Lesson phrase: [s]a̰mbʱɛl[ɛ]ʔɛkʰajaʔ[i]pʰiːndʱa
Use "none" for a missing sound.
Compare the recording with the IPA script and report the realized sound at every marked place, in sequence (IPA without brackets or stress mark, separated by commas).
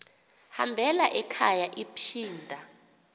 h, a, i